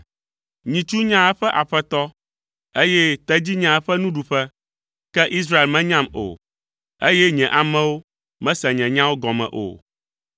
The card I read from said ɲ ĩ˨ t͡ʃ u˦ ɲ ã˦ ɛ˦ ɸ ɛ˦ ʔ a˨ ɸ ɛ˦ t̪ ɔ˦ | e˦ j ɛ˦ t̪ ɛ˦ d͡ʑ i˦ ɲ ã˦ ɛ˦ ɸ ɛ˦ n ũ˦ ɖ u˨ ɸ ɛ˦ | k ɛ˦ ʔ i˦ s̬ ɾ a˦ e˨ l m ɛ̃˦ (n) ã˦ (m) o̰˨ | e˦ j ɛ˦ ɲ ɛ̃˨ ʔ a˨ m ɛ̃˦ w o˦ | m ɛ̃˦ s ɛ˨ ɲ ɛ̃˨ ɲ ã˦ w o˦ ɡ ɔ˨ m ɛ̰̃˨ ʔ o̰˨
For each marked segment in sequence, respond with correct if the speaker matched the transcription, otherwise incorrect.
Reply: incorrect: ɲ, correct

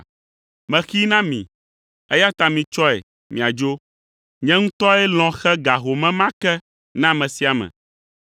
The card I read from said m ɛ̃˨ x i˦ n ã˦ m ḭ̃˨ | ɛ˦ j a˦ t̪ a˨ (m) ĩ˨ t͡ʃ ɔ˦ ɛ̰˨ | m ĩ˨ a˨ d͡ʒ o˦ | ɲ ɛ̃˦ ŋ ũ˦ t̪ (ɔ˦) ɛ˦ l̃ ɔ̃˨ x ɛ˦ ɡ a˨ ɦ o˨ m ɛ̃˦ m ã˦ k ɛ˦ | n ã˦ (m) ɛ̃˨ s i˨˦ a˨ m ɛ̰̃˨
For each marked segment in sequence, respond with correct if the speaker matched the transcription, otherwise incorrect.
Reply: correct, correct, correct

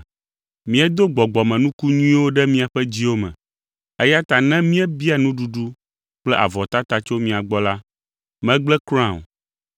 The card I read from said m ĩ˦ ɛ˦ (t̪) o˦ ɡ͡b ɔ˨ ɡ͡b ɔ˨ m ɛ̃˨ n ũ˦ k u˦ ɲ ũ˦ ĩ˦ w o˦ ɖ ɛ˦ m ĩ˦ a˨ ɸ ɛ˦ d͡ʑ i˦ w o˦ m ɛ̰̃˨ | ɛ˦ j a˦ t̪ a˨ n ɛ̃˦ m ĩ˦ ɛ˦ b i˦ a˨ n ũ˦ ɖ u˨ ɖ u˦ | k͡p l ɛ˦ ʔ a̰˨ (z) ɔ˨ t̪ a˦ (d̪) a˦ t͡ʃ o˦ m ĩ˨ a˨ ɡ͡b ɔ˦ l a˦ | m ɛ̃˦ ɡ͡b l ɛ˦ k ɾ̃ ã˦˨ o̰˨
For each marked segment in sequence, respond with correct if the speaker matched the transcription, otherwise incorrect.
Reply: incorrect: d̪, incorrect: v, incorrect: t̪

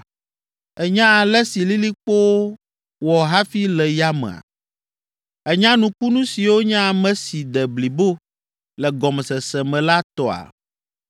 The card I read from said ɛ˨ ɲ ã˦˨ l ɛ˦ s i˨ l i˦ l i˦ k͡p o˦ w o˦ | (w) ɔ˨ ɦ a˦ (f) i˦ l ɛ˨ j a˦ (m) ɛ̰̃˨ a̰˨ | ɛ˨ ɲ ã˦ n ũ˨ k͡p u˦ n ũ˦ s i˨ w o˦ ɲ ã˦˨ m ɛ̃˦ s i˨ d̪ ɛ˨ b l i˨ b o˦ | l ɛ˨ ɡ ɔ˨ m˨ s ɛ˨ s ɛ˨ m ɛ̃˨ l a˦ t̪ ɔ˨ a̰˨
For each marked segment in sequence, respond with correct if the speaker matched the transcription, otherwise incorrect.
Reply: correct, correct, correct

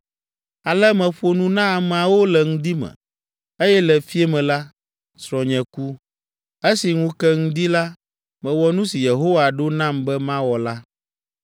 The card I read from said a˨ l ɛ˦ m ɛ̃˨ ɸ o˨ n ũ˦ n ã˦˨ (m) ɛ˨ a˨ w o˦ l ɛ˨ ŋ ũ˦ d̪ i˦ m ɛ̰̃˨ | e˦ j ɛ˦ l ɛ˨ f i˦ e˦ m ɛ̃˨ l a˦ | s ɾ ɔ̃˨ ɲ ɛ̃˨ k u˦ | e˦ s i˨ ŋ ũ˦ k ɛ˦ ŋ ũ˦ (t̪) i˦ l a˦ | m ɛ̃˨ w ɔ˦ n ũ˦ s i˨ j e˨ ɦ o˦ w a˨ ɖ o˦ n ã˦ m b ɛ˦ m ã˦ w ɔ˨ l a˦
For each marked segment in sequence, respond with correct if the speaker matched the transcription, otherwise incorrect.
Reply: correct, incorrect: d̪

